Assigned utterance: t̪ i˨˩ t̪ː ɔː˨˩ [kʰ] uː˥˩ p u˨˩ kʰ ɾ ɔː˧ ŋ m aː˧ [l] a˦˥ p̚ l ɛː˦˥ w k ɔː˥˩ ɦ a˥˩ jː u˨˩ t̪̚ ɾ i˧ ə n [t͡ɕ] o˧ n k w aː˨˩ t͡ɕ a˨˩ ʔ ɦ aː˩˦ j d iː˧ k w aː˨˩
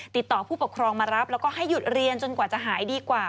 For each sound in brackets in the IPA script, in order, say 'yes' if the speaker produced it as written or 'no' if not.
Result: no, no, yes

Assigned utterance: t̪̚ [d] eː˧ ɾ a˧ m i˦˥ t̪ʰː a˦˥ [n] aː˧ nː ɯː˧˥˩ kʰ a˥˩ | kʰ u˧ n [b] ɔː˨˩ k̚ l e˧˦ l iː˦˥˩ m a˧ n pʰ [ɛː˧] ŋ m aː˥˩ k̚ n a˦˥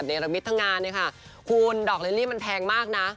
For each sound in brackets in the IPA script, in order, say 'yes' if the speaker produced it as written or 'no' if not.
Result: no, no, no, yes

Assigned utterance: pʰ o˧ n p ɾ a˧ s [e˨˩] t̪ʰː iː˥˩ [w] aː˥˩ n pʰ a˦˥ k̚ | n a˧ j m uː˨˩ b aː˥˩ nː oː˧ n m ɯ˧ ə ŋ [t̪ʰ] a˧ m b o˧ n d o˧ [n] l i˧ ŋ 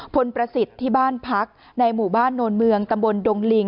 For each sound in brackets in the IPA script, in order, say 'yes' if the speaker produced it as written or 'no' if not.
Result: no, no, no, no

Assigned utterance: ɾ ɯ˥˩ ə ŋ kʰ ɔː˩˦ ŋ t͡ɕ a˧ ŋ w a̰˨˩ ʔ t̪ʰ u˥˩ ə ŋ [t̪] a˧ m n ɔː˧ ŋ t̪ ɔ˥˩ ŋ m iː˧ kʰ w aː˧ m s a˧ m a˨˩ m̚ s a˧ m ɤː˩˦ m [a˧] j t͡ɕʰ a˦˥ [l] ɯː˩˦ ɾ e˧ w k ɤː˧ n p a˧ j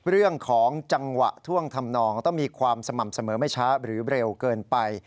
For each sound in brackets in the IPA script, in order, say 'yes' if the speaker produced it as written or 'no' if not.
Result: no, no, no

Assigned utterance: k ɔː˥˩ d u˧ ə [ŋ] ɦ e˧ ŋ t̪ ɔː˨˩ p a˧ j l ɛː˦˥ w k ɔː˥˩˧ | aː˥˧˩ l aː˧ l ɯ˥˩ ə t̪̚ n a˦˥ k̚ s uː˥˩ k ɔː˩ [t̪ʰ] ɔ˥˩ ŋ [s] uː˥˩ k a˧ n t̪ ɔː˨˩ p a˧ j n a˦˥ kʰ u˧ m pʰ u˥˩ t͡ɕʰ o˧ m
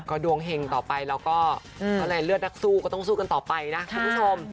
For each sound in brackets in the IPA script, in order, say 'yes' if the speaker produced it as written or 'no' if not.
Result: yes, no, yes

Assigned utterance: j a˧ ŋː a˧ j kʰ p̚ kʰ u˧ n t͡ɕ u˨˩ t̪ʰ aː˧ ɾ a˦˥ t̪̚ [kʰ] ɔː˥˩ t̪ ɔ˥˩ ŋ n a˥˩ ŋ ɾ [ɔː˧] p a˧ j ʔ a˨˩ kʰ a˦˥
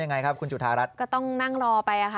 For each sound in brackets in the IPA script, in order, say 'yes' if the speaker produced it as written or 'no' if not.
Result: no, yes

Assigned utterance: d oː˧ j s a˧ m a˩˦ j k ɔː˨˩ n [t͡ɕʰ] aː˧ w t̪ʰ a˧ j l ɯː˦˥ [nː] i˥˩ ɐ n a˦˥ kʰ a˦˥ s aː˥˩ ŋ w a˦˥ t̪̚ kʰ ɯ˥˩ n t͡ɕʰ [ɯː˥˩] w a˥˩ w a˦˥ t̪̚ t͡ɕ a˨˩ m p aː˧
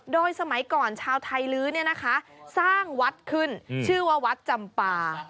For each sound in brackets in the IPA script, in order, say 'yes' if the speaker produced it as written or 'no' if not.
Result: yes, no, yes

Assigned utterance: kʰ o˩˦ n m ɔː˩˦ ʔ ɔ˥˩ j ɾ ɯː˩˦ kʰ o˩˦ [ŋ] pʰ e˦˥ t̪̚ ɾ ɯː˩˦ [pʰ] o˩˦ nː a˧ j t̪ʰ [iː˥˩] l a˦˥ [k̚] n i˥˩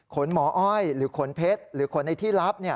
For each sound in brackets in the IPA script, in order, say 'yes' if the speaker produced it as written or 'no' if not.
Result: no, no, yes, no

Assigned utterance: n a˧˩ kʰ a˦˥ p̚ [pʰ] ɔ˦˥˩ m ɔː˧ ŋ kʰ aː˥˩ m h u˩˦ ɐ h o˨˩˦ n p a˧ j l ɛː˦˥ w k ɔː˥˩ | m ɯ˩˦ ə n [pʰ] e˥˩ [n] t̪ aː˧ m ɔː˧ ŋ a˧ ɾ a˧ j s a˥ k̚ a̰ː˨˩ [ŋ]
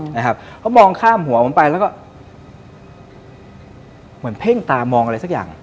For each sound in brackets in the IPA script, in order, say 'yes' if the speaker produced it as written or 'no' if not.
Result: yes, yes, no, yes

